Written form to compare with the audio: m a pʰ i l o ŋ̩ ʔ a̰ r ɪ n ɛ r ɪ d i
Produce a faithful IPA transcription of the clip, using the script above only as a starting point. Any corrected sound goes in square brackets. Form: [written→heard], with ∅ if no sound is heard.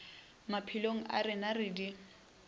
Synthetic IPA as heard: m a pʰ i l o ŋ̩ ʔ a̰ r ɪ n [ɛ→a] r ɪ d i